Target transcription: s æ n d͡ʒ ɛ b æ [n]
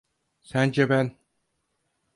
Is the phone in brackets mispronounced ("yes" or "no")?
no